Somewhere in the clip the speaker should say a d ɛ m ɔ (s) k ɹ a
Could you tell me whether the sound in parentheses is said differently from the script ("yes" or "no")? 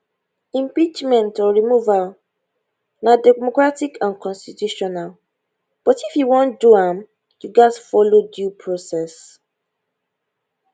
yes